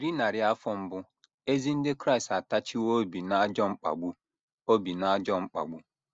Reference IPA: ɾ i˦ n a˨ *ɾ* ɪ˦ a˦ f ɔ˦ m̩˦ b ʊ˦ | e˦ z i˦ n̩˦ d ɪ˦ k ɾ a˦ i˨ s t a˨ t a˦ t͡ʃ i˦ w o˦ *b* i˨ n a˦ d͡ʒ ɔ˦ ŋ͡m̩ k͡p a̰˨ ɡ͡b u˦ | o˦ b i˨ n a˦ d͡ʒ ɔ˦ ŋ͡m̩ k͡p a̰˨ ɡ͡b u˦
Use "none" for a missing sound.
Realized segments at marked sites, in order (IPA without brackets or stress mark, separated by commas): ɾ, b